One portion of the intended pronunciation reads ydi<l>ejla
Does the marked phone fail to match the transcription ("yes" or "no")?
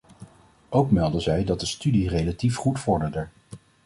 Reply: yes